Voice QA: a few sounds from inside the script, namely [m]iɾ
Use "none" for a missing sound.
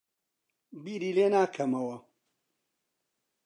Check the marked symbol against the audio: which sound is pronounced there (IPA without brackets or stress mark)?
b